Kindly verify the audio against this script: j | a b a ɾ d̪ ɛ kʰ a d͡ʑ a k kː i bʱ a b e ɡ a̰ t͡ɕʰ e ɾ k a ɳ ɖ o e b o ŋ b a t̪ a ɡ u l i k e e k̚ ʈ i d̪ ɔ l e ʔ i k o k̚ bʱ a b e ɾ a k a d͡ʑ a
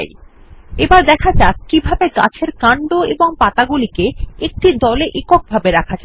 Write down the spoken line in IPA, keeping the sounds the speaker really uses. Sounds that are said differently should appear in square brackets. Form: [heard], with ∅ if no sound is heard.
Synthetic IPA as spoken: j | [e] b a ɾ d̪ ɛ kʰ a d͡ʑ a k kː i bʱ a b e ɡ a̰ t͡ɕʰ e ɾ k a ɳ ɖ o e b o ŋ [p] a t̪ a ɡ u l i k e e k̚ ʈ i d̪ ɔ l e ʔ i k o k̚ bʱ a b e ɾ a [kʰ] a d͡ʑ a